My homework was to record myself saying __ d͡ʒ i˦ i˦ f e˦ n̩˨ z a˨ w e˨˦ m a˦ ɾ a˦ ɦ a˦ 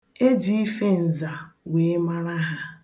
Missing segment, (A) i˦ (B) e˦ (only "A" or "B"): B